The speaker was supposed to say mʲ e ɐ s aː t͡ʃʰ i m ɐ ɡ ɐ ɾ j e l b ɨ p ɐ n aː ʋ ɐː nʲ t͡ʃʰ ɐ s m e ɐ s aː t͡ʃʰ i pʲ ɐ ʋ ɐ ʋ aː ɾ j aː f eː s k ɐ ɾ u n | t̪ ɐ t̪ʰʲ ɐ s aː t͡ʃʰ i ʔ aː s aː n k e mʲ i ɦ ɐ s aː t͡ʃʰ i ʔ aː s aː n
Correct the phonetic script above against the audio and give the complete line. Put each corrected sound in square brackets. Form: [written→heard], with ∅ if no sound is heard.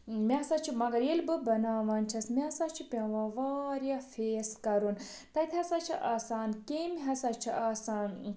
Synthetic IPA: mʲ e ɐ s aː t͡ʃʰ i m ɐ ɡ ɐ ɾ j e l b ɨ [p→b] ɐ n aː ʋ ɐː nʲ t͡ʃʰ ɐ s m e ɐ s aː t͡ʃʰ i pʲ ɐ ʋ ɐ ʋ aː ɾ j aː f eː s k ɐ ɾ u n | t̪ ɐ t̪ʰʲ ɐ s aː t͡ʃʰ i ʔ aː s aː n k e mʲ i ɦ ɐ s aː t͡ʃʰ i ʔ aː s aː n

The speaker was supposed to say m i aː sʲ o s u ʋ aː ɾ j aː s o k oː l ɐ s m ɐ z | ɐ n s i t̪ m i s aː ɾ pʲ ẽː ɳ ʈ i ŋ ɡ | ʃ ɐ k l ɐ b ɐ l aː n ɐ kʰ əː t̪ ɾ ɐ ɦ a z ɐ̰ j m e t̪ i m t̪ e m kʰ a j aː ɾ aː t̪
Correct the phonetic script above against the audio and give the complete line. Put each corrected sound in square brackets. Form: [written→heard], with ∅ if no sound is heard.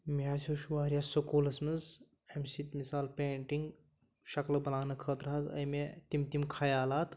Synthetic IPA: m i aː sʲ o [s→ʃ] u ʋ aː ɾ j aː s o k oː l ɐ s m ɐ z | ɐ [n→m] s i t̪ m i s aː [ɾ→l] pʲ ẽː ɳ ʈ i ŋ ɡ | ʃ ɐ k l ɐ b ɐ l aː n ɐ kʰ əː t̪ ɾ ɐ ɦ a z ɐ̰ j m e t̪ i m t̪ [e→i] m kʰ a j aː [ɾ→l] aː t̪

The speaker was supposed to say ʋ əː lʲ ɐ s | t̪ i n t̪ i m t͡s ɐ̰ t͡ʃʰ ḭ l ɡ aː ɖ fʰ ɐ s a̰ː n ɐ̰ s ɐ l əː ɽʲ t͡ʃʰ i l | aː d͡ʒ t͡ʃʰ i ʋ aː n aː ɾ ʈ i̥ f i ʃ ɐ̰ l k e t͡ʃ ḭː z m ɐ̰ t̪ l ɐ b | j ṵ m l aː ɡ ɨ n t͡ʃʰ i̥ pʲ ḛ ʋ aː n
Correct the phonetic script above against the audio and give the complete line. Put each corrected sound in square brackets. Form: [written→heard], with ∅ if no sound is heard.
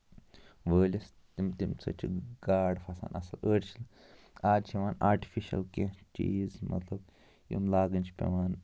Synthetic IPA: ʋ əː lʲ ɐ s | t̪ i [n→m] t̪ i m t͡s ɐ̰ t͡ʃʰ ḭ [l→∅] ɡ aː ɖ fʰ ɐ s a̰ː n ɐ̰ s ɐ l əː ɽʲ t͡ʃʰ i l | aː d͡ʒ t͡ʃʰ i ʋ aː n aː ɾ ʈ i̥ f i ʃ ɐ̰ l k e t͡ʃ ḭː z m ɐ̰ t̪ l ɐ b | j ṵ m l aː ɡ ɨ n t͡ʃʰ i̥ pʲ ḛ ʋ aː n

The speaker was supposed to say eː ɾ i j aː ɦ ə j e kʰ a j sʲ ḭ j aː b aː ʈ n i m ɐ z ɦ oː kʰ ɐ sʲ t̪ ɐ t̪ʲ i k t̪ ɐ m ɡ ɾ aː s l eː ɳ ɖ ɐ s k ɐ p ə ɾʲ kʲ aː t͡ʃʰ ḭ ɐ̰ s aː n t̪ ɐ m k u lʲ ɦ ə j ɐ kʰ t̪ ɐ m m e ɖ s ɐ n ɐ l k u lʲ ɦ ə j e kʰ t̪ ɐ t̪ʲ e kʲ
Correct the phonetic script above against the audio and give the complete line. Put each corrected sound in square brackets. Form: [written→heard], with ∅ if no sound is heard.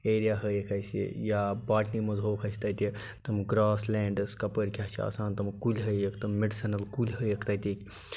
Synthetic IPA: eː ɾ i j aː ɦ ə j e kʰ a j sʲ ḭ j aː b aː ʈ n i m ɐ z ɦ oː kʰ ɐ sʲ t̪ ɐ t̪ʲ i [k→∅] t̪ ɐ m ɡ ɾ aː s l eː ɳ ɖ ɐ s k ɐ p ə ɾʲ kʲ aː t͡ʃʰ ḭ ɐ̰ s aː n t̪ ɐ m k u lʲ ɦ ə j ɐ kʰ t̪ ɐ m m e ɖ s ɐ n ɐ l k u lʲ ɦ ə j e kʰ t̪ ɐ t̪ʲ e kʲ

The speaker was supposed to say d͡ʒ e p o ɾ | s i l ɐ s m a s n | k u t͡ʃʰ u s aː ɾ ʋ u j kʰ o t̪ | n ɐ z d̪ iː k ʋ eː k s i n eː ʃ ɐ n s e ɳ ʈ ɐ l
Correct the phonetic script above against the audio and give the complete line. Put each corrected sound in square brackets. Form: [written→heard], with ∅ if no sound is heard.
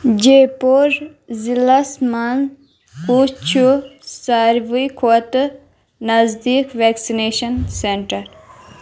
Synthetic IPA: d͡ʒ e p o ɾ | [s→z] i l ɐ s m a [s→∅] n | k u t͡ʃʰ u s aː ɾ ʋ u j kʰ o t̪ | n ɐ z d̪ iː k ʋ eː k s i n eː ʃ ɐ n s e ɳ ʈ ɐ [l→ɾ]

